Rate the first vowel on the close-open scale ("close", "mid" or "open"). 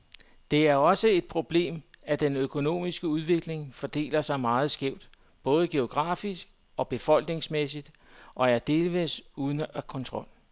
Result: mid